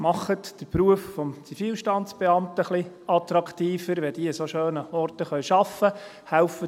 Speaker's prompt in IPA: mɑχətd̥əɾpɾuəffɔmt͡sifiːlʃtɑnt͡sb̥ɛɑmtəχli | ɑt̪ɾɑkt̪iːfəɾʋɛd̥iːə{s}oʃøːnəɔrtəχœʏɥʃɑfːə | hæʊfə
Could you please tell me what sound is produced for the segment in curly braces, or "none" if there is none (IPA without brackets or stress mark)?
s